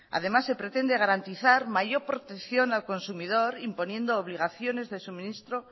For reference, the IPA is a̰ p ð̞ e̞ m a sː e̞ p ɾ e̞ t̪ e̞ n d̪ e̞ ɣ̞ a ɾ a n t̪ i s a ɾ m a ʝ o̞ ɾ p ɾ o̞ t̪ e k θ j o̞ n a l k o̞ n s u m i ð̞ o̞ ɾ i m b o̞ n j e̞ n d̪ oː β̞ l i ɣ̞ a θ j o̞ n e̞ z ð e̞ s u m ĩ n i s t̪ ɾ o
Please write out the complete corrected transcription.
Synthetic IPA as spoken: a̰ ð̞ e̞ m a sː e̞ p ɾ e̞ t̪ e̞ n d̪ e̞ ɣ̞ a ɾ a n t̪ i θ a ɾ m a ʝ o̞ ɾ p ɾ o̞ t̪ e k θ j o̞ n a l k o̞ n s u m i ð̞ o̞ ɾ i m p o̞ n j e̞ n d̪ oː β̞ l i ɣ̞ a θ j o̞ n e̞ z ð e̞ s u m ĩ n i s t̪ ɾ o